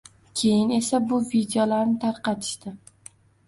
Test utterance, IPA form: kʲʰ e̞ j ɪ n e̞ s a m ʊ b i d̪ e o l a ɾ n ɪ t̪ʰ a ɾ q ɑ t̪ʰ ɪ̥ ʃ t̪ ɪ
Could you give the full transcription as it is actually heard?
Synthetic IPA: kʲʰ e̞ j ɪ n e̞ s a b ʊ v i d̪ e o l a ɾ n ɪ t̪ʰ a ɾ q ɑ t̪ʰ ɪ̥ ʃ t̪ ɪ